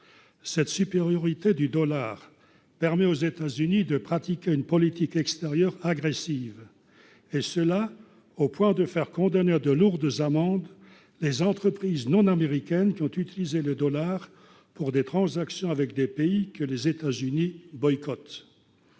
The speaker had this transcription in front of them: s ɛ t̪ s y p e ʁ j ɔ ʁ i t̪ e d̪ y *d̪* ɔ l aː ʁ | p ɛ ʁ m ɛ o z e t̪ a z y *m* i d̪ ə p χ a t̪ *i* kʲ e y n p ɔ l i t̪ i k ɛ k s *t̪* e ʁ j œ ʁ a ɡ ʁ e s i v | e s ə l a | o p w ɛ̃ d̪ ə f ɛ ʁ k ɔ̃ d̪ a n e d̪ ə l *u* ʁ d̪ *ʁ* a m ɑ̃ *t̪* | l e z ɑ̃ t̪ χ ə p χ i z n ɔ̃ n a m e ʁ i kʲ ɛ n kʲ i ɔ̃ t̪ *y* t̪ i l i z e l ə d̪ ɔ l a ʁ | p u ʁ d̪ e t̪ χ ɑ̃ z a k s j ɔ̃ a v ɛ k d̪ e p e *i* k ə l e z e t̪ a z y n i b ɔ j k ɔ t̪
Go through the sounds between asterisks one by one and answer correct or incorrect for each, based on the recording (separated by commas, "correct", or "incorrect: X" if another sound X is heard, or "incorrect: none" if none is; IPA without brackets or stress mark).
correct, incorrect: n, correct, correct, correct, incorrect: z, incorrect: d̪, correct, correct